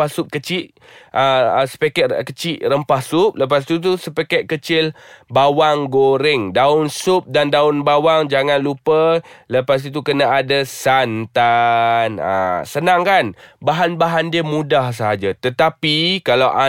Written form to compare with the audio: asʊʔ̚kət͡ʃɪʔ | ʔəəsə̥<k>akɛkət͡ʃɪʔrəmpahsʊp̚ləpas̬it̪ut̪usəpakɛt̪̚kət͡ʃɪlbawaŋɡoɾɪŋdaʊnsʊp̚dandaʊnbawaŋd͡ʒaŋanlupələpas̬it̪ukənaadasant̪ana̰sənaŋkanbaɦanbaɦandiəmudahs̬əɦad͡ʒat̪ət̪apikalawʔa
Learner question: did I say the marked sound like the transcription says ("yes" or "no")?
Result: no